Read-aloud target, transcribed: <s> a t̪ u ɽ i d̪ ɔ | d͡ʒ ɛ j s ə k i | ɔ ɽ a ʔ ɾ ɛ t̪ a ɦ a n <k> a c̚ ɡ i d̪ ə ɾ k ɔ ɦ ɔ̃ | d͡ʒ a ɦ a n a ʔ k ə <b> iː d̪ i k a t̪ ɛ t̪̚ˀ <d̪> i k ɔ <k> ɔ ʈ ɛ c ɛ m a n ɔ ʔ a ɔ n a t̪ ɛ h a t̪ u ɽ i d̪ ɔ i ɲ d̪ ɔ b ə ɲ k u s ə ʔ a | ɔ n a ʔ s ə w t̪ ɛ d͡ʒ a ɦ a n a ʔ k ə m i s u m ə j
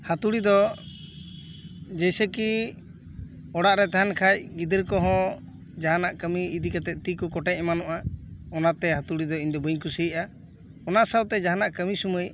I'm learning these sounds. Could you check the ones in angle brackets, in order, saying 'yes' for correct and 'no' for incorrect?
no, no, no, no, yes

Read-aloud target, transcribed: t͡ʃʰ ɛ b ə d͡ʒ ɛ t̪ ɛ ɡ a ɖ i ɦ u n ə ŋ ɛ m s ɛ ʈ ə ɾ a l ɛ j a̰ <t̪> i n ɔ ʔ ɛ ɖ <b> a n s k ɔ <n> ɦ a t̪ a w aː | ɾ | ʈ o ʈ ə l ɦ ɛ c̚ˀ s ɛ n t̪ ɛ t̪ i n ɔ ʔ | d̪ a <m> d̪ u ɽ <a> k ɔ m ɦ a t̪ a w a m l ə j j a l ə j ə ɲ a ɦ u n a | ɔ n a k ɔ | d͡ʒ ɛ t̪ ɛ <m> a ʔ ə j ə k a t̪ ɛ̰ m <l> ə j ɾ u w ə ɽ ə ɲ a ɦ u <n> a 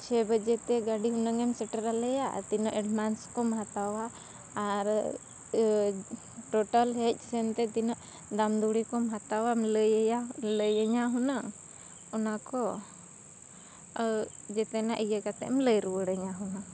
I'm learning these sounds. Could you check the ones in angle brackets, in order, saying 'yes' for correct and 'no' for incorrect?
yes, no, no, yes, no, no, yes, yes

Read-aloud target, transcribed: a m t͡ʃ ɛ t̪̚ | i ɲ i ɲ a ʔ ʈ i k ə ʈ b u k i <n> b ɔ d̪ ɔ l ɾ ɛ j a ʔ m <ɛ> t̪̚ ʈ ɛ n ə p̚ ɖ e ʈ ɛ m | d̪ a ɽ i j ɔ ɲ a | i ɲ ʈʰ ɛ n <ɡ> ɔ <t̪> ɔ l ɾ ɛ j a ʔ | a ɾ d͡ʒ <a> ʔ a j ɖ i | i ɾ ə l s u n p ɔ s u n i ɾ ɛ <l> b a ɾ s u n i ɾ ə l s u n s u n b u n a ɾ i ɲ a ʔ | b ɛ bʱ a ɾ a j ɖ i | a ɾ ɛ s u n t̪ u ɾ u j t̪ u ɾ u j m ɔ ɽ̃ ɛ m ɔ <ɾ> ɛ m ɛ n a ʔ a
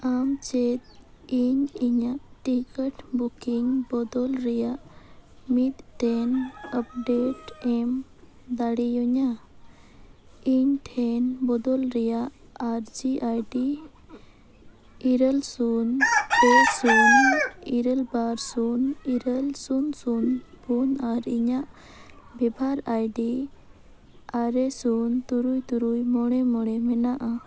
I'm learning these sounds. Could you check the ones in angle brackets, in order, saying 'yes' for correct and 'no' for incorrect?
no, no, no, no, no, yes, no

